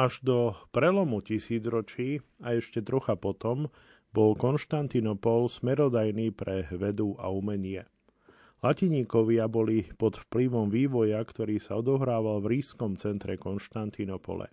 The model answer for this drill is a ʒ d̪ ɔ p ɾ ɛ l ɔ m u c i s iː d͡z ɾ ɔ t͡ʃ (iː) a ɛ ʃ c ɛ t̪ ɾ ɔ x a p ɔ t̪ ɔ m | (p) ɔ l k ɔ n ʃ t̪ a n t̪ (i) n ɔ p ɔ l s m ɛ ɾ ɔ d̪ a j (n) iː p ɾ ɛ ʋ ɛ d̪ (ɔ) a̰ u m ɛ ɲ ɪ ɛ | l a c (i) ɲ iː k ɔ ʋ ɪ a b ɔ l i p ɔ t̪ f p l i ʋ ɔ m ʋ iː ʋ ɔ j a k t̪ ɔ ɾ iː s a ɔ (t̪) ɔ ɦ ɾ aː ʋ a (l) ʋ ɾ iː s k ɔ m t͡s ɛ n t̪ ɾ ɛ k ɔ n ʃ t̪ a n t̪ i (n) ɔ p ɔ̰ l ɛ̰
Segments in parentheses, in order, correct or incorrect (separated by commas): correct, incorrect, correct, correct, incorrect, correct, incorrect, correct, correct